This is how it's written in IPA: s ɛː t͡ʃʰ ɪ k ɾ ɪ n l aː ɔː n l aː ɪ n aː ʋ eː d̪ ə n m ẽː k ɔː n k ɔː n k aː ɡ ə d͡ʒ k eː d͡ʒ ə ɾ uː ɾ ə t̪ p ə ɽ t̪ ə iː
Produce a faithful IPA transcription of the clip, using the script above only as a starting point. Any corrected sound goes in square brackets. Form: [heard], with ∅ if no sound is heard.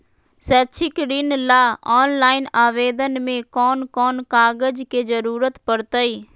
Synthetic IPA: s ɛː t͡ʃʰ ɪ k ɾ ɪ n l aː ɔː n l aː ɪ n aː ʋ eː d̪ ə n m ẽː k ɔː n k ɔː n k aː ɡ ə d͡ʒ k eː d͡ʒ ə ɾ uː ɾ ə t̪ p ə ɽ t̪ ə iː